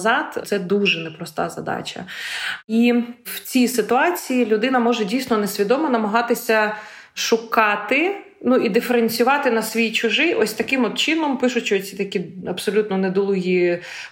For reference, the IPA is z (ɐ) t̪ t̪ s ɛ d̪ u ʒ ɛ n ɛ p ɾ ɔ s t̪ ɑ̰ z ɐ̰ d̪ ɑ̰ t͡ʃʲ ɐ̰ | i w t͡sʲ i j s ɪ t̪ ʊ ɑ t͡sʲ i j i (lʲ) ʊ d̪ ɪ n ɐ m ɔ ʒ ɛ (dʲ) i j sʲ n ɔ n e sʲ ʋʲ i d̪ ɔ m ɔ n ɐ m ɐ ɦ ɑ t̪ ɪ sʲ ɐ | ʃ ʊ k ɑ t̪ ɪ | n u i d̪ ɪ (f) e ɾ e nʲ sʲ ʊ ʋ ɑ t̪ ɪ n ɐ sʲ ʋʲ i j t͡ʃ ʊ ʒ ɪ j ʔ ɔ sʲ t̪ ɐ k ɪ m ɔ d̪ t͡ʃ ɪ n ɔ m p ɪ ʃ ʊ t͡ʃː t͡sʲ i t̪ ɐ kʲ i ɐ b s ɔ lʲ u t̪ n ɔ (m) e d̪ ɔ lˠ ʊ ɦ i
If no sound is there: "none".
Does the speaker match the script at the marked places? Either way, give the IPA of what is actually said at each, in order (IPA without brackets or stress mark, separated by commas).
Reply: ɑ, lʲ, dʲ, f, n